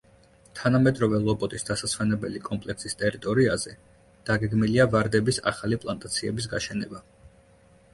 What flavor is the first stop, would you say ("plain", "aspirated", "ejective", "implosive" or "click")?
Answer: aspirated